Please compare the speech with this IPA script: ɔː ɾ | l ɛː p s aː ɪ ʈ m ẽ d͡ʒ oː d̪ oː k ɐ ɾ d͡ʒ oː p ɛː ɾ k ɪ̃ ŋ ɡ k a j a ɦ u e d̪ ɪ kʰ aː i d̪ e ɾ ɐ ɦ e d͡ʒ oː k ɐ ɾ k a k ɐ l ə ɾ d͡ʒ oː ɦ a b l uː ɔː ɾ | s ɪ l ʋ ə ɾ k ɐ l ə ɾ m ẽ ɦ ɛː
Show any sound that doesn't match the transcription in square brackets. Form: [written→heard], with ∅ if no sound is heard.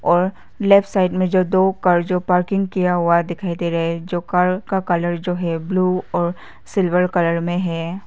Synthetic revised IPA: ɔː ɾ | l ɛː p s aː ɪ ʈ m ẽ d͡ʒ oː d̪ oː k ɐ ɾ d͡ʒ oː p [ɛː→aː] ɾ k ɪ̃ ŋ ɡ k [a→i] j a ɦ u [e→a] d̪ ɪ kʰ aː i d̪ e ɾ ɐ ɦ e d͡ʒ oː k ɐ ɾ k a k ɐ l ə ɾ d͡ʒ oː ɦ [a→ɛ] b l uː ɔː ɾ | s ɪ l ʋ ə ɾ k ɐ l ə ɾ m ẽ ɦ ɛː

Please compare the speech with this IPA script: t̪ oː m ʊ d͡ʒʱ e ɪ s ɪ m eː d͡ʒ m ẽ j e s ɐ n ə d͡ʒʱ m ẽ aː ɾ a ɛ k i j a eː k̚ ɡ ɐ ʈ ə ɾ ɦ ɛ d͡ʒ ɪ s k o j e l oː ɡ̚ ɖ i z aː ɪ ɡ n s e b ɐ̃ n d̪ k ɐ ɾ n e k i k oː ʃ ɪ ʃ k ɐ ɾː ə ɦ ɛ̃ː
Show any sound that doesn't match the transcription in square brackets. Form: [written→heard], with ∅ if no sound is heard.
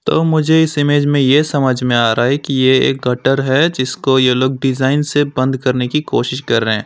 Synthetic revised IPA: t̪ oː m ʊ d͡ʒʱ e ɪ s ɪ m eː d͡ʒ m ẽ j e s ɐ [n→m] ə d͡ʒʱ m ẽ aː ɾ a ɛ k i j [a→e] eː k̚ ɡ ɐ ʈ ə ɾ ɦ ɛ d͡ʒ ɪ s k o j e l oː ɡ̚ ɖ [i→ɪ] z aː ɪ [ɡ→∅] n s e b ɐ̃ n d̪ k ɐ ɾ n e k i k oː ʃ ɪ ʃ k ɐ ɾː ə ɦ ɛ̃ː

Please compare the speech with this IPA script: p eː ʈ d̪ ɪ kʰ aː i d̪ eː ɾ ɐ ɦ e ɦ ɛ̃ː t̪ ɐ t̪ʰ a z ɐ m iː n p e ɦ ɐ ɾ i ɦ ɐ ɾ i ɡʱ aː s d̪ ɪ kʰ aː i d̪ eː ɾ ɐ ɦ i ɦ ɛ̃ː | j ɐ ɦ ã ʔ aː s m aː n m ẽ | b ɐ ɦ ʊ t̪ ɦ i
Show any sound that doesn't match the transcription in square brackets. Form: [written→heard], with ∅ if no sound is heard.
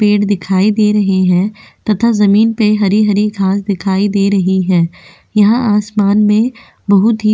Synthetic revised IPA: p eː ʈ d̪ ɪ kʰ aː i d̪ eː ɾ ɐ ɦ e ɦ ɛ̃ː t̪ ɐ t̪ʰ a z ɐ m iː n p e ɦ ɐ ɾ i ɦ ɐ ɾ i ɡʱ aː s d̪ ɪ kʰ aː i d̪ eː ɾ ɐ ɦ i ɦ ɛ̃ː | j ɐ ɦ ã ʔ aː s m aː n m ẽ | b ɐ ɦ ʊ t̪ ɦ i

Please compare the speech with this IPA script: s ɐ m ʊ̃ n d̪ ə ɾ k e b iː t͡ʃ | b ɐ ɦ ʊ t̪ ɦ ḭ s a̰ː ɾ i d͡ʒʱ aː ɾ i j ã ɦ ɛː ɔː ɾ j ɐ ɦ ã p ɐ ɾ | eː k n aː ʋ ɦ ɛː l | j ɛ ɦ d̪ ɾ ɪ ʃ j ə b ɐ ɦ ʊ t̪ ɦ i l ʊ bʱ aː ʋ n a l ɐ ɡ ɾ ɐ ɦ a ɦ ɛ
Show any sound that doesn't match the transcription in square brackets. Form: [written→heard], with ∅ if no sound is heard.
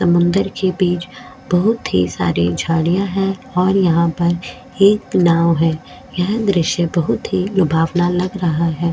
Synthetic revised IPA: s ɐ m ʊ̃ n d̪ ə ɾ k e b iː t͡ʃ | b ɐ ɦ ʊ t̪ ɦ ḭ s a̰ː ɾ i d͡ʒʱ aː [ɾ→ɽ] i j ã ɦ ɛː ɔː ɾ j ɐ ɦ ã p ɐ ɾ | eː k n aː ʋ ɦ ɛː [l→∅] | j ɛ ɦ d̪ ɾ ɪ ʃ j ə b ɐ ɦ ʊ t̪ ɦ i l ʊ bʱ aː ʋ n a l ɐ ɡ ɾ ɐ ɦ a ɦ [ɛ→ɛː]

